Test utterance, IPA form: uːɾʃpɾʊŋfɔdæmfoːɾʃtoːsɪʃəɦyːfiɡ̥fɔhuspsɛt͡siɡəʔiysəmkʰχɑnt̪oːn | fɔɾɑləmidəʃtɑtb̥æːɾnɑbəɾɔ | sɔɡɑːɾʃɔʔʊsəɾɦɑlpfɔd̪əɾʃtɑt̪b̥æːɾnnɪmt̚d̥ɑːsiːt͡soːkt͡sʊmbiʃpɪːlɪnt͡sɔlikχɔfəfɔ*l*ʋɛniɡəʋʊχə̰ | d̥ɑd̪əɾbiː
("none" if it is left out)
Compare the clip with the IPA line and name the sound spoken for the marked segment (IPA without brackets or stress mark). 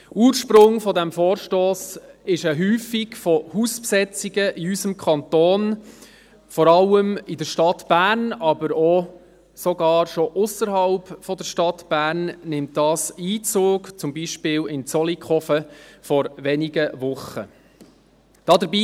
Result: ɾ